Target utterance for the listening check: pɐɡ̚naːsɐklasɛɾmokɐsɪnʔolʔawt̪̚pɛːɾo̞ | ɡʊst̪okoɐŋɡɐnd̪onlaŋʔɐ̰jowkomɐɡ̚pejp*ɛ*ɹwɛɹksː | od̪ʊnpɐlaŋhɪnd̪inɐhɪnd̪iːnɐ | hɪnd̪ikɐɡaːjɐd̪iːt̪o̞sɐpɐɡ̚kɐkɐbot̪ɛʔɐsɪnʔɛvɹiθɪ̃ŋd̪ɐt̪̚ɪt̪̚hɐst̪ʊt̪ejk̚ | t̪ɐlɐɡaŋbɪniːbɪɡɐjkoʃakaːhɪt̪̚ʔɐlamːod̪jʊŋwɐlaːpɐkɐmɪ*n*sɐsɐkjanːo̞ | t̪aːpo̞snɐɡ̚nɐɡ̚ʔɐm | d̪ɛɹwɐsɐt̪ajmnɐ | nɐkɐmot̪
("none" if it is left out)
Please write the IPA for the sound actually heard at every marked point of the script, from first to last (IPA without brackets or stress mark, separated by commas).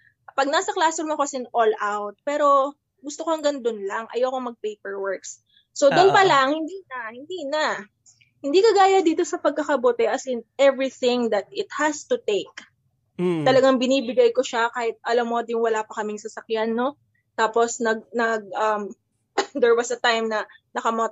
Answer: ɛ, ŋ